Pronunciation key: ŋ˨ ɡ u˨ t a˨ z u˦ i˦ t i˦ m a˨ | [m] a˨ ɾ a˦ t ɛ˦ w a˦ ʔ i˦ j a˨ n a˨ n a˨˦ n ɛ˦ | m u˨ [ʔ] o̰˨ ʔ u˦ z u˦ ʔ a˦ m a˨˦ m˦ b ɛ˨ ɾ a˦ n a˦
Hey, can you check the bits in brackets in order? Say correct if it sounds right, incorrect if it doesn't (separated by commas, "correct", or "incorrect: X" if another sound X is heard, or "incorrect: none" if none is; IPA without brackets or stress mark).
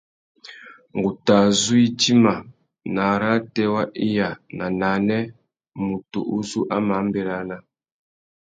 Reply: incorrect: n, incorrect: t